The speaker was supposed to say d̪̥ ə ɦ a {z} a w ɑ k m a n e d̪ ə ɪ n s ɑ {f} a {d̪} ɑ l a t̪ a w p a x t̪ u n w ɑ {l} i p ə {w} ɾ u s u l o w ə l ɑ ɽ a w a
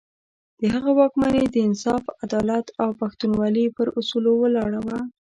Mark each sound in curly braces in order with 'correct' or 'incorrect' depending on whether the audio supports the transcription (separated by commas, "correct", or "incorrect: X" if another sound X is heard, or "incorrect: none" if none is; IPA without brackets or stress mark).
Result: incorrect: ɣ, correct, correct, correct, incorrect: none